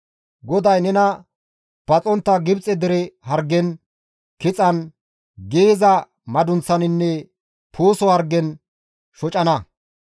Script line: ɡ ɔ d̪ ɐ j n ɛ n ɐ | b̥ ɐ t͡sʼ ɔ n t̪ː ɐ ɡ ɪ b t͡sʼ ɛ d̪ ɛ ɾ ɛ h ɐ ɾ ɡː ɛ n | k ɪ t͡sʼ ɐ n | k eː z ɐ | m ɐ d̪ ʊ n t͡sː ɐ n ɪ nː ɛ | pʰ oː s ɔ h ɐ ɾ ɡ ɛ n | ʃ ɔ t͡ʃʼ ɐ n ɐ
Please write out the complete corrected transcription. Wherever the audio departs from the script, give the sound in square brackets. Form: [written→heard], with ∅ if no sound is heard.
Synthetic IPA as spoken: ɡ ɔ d̪ ɐ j n ɛ n ɐ | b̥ ɐ t͡sʼ ɔ n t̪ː ɐ ɡ ɪ b t͡sʼ ɛ d̪ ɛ ɾ ɛ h ɐ ɾ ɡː ɛ n | k ɪ t͡sʼ ɐ n | [k→ɡ] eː z ɐ | m ɐ d̪ ʊ n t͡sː ɐ n ɪ nː ɛ | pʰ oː s ɔ h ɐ ɾ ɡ ɛ n | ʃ ɔ t͡ʃʼ ɐ n ɐ